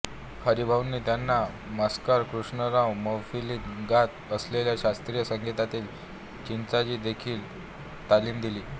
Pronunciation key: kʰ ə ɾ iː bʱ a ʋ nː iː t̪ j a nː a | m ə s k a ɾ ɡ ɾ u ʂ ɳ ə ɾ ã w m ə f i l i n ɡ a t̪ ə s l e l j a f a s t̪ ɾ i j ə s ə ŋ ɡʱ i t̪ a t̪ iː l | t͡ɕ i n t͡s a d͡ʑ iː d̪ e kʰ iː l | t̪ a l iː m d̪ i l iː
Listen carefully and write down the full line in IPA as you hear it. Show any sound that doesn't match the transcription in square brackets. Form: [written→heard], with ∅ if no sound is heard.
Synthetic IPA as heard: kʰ ə ɾ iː bʱ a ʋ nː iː t̪ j a nː a | m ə s k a ɾ [ɡ→k] ɾ u ʂ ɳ ə ɾ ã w m ə f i l i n ɡ a t̪ ə s l e l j a [f→ɕ] a s t̪ ɾ i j ə s ə ŋ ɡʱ i t̪ a t̪ iː l | t͡ɕ i n t͡s a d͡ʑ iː d̪ e kʰ iː l | t̪ a l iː m d̪ i l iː